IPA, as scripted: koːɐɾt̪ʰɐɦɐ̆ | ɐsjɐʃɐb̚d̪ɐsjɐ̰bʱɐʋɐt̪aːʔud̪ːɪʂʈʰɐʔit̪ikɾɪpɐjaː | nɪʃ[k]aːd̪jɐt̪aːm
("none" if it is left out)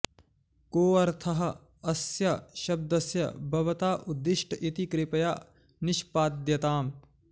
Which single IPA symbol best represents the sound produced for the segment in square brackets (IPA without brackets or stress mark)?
p